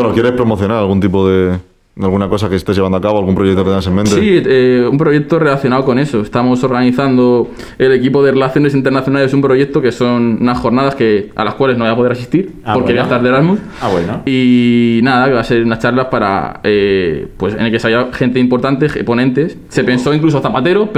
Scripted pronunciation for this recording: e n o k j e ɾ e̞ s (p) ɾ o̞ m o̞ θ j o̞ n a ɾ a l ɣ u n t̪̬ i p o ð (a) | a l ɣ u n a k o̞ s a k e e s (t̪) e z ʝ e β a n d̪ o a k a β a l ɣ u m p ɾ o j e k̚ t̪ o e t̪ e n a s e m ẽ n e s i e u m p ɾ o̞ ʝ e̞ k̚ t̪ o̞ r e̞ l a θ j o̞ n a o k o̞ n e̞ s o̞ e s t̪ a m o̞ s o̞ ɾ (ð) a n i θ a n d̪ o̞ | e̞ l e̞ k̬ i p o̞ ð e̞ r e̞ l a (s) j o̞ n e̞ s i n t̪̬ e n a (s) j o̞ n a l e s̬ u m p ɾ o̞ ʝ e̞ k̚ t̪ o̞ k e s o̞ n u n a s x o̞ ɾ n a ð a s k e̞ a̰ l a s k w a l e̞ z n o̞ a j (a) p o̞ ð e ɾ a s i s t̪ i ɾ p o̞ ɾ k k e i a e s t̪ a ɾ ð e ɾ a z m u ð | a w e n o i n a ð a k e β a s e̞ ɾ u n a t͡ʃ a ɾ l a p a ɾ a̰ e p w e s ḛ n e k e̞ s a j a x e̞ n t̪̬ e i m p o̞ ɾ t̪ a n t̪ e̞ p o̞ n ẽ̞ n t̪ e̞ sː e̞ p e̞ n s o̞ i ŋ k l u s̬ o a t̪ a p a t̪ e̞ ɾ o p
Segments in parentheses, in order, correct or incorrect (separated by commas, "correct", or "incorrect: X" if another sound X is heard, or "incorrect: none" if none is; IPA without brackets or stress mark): correct, incorrect: e, correct, incorrect: ɣ, incorrect: θ, incorrect: θ, correct